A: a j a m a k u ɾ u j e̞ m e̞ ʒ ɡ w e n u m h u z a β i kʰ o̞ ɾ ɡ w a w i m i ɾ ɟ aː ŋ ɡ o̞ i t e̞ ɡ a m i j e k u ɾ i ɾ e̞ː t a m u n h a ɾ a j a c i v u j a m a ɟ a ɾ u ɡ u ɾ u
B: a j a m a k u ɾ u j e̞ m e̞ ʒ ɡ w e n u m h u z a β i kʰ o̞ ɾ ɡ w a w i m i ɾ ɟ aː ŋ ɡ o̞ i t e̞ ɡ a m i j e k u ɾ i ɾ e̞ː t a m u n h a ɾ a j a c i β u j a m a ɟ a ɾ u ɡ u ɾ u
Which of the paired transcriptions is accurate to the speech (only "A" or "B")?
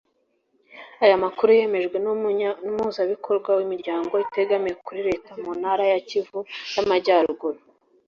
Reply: A